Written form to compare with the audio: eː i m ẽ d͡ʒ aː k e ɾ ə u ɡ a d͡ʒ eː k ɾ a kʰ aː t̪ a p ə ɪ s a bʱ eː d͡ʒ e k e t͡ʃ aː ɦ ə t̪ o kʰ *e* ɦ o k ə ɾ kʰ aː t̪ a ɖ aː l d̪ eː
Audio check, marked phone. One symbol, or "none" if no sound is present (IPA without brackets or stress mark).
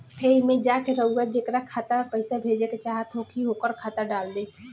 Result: i